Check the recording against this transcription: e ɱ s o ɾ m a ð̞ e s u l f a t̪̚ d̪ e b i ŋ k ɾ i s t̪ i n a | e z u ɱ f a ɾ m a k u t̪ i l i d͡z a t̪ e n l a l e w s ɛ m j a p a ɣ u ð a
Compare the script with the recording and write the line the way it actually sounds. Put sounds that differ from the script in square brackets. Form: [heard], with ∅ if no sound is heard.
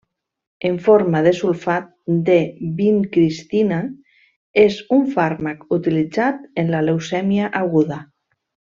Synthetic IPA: e ɱ [f] o ɾ m a ð̞ e s u l f a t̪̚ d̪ e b i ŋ k ɾ i s t̪ i n a | e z u ɱ f a ɾ m a k u t̪ i l i d͡z a t̪ e n l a l e w s ɛ m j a [ʔ] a ɣ u ð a